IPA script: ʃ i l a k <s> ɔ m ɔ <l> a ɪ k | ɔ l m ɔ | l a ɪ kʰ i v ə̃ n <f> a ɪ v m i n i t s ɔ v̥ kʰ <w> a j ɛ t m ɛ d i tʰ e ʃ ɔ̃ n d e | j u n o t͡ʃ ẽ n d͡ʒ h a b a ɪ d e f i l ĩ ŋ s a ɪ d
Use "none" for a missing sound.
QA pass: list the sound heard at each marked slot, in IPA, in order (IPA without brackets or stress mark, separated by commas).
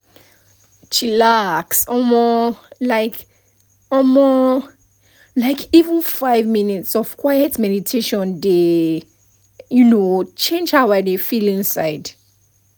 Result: s, l, f, w